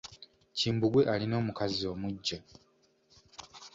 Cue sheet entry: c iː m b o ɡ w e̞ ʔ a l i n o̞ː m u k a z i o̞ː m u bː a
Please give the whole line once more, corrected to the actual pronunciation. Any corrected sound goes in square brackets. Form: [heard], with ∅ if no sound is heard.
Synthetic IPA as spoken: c iː m b [u] ɡ w e̞ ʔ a l i n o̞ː m u k a z i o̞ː m u [ɟː] a